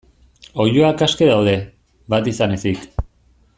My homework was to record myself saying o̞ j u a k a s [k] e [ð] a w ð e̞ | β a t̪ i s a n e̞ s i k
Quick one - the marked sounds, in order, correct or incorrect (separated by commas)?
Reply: correct, correct